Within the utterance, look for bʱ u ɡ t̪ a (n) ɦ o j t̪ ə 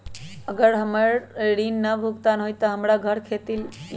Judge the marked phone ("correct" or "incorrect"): correct